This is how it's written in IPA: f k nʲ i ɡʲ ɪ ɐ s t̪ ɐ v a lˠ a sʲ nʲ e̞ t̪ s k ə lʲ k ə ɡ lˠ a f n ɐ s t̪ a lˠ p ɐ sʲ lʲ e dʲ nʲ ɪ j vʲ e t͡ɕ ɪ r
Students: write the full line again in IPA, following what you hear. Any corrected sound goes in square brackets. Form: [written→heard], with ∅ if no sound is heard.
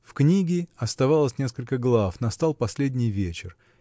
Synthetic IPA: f k nʲ i ɡʲ ɪ ɐ s t̪ ɐ v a lˠ [a→ə] sʲ nʲ e̞ [t̪→∅] s k ə lʲ k ə ɡ lˠ a f n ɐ s t̪ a lˠ p ɐ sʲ lʲ e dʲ nʲ ɪ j vʲ e t͡ɕ ɪ r

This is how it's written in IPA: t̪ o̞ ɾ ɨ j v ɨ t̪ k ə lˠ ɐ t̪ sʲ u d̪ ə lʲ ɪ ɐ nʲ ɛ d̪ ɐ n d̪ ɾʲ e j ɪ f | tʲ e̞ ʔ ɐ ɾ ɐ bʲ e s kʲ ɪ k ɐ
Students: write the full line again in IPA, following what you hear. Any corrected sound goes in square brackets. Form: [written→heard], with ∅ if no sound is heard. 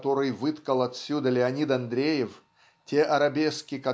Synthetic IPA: t̪ o̞ ɾ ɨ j v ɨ t̪ k ə lˠ ɐ t̪ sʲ u d̪ ə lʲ ɪ ɐ nʲ [ɛ→i] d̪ ɐ n d̪ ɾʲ e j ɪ f | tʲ e̞ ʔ ɐ ɾ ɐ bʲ e s kʲ ɪ k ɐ

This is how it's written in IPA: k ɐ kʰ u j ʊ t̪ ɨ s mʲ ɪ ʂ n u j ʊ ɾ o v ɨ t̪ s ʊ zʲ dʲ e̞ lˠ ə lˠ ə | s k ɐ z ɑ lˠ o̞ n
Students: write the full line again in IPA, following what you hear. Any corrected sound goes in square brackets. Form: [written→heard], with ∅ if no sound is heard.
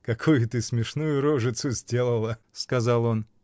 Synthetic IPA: k ɐ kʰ u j ʊ t̪ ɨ s mʲ ɪ ʂ n u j ʊ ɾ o [v→ʐ] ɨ t̪ s ʊ zʲ dʲ e̞ lˠ ə lˠ ə | s k ɐ z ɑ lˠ o̞ n

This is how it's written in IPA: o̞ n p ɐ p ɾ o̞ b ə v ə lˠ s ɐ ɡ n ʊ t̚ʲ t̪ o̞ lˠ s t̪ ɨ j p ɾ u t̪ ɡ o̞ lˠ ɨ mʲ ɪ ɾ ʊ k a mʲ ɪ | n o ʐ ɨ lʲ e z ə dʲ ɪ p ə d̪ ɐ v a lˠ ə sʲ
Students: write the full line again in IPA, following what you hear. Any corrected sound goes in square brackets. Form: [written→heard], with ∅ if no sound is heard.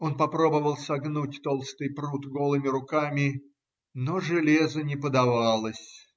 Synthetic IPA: o̞ n p ɐ p ɾ o̞ b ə v ə lˠ s ɐ ɡ n [ʊ→u] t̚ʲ t̪ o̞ lˠ s t̪ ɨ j p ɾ u t̪ ɡ o̞ lˠ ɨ mʲ ɪ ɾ ʊ k a mʲ ɪ | n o ʐ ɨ lʲ e z ə [dʲ→nʲ] ɪ p ə d̪ ɐ v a lˠ ə sʲ

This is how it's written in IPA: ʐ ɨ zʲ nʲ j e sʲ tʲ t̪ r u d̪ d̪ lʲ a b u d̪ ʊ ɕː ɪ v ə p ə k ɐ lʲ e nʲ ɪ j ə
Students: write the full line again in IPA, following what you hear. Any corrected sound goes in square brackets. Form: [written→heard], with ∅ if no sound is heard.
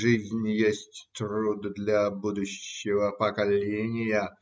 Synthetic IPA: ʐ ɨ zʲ nʲ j e sʲ tʲ t̪ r u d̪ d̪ lʲ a b u d̪ ʊ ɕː ɪ v ə p ə k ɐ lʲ e nʲ ɪ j ə

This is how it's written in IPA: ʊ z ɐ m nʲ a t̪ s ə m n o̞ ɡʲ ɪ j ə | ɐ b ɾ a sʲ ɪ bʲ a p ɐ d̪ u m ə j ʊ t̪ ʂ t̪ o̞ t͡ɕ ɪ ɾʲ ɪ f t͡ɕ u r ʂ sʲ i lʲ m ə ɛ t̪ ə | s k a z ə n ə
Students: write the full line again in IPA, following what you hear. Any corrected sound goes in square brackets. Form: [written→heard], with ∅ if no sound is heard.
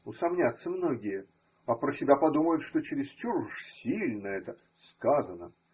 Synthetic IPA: ʊ [z→s] ɐ m nʲ a t̪ s ə m n o̞ ɡʲ ɪ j ə | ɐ [b→p] ɾ [a→ə] sʲ ɪ bʲ a p ɐ d̪ u m ə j ʊ t̪ ʂ t̪ o̞ t͡ɕ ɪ ɾʲ ɪ [f→s] t͡ɕ u r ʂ sʲ i lʲ [m→n] ə ɛ t̪ ə | s k a z ə n ə

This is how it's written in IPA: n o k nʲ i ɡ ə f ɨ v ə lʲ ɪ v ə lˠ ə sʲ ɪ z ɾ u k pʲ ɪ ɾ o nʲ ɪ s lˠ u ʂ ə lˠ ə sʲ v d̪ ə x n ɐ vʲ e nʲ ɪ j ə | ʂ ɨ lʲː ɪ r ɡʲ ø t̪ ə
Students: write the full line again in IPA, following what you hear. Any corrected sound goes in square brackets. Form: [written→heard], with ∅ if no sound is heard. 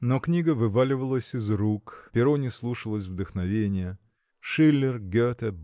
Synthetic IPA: n o k nʲ i ɡ ə [f→v] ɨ v [ə→a] lʲ ɪ v ə lˠ ə sʲ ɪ z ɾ u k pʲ ɪ ɾ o nʲ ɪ s lˠ u ʂ ə lˠ ə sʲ v d̪ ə x n ɐ vʲ e nʲ ɪ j ə | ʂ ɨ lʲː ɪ r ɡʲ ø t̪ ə

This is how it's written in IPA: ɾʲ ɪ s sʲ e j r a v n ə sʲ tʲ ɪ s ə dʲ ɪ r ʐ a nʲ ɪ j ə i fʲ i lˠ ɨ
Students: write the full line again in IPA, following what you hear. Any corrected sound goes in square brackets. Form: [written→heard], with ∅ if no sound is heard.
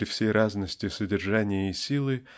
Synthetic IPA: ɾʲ ɪ [s→f] sʲ e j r a [v→z] n ə sʲ tʲ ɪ s ə dʲ ɪ r ʐ a nʲ ɪ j ə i [fʲ→sʲ] i lˠ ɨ

